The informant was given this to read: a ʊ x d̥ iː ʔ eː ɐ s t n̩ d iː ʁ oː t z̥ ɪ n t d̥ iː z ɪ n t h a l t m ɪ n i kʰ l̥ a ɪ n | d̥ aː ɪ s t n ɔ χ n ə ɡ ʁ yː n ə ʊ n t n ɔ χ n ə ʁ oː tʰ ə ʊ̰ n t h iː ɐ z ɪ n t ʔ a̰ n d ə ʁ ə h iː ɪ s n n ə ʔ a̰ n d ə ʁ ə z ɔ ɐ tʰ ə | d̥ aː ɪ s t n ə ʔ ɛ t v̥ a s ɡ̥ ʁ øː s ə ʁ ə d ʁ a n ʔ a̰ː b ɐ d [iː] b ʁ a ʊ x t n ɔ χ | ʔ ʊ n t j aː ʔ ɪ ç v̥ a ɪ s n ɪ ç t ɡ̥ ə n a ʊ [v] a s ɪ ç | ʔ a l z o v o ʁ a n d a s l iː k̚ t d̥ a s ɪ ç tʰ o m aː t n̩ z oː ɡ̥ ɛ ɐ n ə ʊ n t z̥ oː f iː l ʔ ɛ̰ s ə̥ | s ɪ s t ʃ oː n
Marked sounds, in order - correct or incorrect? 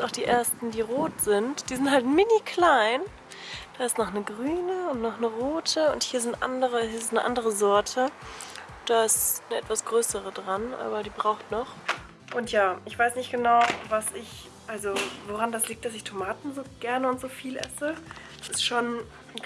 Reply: correct, correct

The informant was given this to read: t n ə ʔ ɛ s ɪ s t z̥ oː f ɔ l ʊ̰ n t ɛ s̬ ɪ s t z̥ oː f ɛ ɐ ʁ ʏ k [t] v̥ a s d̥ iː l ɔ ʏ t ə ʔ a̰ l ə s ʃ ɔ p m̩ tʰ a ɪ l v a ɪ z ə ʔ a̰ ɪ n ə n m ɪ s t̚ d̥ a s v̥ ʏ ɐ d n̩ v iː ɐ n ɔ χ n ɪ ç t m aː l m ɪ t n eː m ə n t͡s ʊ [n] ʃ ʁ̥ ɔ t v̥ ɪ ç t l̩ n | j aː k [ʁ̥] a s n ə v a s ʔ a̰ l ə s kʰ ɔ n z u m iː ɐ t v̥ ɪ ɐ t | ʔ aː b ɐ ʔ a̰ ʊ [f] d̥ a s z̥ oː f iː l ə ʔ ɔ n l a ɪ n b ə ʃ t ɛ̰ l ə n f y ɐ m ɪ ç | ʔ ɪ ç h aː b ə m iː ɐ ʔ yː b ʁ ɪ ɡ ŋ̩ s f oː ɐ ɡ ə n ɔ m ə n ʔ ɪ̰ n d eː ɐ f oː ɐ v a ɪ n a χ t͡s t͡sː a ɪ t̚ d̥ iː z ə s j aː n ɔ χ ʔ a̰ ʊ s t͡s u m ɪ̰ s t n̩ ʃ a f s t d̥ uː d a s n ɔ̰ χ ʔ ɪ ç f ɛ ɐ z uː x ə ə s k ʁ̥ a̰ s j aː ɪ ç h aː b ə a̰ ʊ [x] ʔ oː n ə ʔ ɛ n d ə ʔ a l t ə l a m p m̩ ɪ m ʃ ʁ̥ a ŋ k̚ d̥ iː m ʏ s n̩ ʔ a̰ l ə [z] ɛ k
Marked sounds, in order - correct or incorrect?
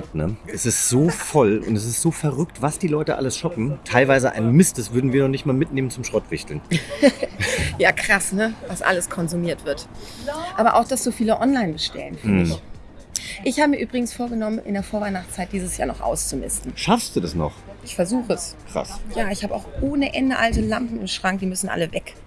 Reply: correct, incorrect: m, correct, incorrect: x, correct, incorrect: v

